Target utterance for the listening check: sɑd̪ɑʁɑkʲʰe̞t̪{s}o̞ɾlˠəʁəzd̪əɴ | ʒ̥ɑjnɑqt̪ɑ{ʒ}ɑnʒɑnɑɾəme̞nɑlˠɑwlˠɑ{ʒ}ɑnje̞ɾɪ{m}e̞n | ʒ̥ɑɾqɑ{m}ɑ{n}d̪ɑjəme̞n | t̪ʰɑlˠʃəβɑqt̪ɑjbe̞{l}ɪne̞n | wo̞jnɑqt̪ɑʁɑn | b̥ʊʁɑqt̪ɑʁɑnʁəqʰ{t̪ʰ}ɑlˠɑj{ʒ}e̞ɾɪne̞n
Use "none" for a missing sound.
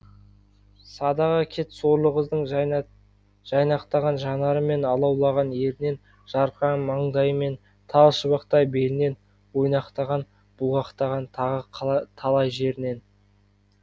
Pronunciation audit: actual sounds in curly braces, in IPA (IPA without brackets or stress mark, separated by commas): s, ʁ, ʁ, n, m, ɴ, l, t̪ʰ, ʒ